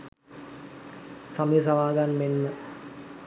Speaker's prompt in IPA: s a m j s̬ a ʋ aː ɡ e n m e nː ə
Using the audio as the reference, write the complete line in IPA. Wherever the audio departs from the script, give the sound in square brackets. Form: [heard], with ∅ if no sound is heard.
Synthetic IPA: s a m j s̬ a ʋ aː ɡ [a] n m e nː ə